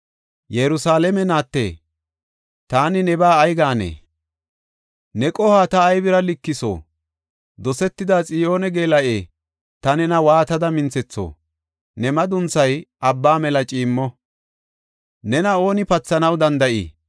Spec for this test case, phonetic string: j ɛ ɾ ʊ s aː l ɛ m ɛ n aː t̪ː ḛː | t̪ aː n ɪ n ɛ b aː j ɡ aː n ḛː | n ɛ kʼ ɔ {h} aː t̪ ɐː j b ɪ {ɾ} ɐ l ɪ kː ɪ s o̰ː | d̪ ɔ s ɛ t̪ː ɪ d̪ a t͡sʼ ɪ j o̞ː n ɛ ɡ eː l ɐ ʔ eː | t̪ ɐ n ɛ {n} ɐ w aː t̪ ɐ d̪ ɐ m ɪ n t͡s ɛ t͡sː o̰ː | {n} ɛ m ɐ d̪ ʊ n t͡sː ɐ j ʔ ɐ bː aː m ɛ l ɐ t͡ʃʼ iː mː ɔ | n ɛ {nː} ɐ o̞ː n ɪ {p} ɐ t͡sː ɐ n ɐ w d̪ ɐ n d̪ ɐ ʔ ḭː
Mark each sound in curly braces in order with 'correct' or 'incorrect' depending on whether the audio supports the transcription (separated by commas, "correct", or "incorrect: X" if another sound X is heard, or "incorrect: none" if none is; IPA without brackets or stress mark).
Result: correct, correct, correct, correct, incorrect: n, correct